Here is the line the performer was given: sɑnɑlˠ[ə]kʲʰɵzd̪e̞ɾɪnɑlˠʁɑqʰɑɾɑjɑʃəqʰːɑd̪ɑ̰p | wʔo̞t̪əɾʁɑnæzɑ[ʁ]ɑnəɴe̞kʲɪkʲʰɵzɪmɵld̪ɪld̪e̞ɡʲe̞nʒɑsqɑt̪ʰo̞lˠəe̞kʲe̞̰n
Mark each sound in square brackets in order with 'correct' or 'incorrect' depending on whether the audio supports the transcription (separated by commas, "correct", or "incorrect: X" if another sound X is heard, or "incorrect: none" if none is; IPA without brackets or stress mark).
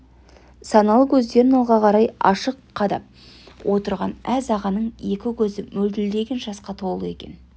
correct, correct